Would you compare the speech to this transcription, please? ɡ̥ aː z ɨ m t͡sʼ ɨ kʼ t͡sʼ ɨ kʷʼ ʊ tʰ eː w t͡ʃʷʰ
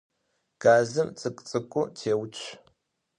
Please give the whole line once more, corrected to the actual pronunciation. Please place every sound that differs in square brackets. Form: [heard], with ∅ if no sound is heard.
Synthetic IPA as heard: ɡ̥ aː z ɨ m t͡sʼ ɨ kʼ t͡sʼ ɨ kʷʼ ʊ tʰ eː w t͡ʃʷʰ